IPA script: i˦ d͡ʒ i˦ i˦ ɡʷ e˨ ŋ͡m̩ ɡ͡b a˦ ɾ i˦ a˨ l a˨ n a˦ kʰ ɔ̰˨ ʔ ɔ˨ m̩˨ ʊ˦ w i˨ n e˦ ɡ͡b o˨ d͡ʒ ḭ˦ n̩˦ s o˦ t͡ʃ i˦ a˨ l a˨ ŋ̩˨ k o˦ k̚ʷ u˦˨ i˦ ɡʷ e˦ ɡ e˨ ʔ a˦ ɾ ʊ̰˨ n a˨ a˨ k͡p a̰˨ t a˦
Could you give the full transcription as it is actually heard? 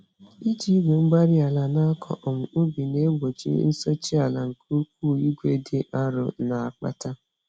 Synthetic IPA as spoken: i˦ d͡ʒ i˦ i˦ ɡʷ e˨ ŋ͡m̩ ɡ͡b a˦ ɾ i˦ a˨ l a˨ n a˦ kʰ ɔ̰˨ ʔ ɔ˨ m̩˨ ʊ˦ b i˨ n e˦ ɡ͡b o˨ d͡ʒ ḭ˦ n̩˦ s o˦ t͡ʃ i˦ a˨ l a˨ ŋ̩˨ k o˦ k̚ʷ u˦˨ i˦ ɡʷ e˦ d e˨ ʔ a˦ ɾ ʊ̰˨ n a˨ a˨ k͡p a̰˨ t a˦